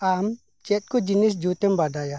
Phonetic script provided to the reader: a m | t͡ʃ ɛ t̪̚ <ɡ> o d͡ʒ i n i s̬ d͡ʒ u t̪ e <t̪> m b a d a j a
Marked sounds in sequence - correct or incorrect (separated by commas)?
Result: incorrect, incorrect